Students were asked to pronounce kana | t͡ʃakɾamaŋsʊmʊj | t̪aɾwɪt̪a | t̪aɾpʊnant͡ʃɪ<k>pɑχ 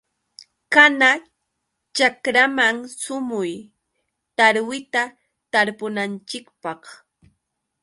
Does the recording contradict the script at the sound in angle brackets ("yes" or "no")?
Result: no